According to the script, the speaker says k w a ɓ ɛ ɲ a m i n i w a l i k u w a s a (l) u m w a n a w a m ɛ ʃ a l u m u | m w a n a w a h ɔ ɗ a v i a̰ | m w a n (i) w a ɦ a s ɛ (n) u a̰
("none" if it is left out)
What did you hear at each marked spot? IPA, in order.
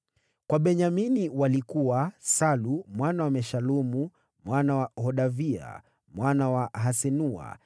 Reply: l, a, n

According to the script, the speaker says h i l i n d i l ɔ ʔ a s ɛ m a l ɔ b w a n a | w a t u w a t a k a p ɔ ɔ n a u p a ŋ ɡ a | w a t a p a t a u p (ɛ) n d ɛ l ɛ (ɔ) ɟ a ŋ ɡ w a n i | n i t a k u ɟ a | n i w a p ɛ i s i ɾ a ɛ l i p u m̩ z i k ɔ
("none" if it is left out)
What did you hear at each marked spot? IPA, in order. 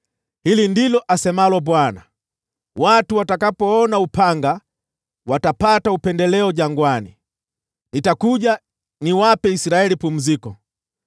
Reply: ɛ, ɔ

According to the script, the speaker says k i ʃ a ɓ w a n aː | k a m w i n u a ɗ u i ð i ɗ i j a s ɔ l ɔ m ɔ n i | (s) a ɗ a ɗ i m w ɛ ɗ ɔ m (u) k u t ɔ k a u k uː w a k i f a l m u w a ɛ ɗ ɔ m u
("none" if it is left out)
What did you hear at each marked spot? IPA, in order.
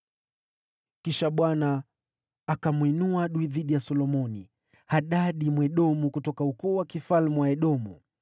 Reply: h, u

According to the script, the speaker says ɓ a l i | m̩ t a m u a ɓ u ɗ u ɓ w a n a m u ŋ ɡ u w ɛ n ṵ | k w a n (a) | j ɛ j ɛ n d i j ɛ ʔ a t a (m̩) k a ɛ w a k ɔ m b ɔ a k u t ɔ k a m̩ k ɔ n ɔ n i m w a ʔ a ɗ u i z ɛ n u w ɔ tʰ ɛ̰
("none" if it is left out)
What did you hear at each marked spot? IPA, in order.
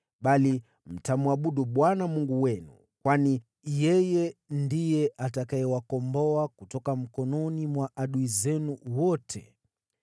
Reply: i, none

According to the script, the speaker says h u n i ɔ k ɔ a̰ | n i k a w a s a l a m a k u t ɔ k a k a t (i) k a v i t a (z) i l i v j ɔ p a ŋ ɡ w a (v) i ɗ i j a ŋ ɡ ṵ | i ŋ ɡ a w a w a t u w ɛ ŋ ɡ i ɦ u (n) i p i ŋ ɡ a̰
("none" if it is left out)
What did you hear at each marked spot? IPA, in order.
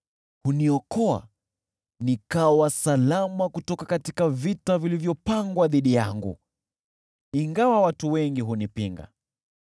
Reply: i, v, ð, n

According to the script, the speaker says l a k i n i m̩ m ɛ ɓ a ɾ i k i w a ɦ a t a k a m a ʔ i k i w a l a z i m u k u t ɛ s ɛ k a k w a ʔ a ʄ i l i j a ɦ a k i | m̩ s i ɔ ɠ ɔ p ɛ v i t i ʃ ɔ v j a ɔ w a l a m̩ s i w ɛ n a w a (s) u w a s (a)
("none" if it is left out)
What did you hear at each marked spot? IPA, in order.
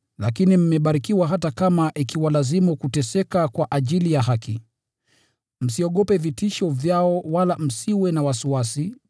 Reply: s, i

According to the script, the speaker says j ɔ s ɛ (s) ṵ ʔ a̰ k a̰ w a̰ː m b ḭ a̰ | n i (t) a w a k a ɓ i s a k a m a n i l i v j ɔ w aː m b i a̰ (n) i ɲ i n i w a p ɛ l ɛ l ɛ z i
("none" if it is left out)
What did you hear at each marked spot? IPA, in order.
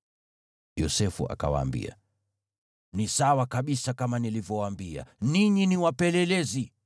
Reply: f, s, n

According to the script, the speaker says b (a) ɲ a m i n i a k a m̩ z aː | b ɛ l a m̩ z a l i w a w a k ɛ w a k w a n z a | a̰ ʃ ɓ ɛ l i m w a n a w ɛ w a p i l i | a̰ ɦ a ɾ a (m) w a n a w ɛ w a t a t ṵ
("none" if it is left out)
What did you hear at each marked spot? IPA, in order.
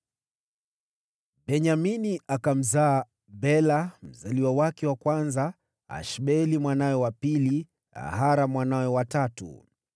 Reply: ɛ, m

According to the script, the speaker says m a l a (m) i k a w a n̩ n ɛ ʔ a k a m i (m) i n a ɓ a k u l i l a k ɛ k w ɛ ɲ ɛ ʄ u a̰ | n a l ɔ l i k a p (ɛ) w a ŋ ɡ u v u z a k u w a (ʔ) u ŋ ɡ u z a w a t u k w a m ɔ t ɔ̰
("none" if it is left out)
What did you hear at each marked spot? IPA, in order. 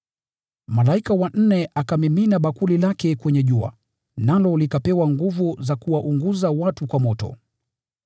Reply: none, m, ɛ, ʔ

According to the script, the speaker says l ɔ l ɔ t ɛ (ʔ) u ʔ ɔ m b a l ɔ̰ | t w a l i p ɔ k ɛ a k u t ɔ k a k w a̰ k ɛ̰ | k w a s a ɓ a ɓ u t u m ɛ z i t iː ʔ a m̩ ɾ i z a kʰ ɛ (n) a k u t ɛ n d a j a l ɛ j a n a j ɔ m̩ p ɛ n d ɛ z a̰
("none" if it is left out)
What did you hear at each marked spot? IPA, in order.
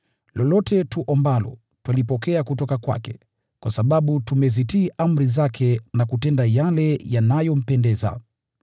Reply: t, n

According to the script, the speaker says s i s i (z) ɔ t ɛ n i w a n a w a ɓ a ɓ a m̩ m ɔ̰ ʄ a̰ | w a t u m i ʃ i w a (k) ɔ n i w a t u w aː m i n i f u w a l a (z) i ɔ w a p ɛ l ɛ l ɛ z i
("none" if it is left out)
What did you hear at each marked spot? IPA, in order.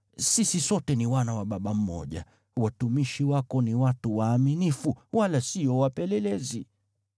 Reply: s, k, s

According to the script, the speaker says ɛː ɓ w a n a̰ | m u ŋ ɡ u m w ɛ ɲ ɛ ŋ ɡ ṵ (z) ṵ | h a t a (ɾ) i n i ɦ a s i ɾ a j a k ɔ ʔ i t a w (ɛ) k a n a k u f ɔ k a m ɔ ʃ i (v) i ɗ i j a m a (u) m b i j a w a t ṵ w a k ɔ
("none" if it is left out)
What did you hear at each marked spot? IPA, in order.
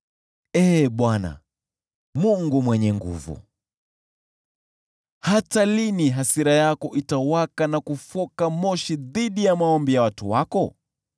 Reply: v, l, a, ð, ɔ

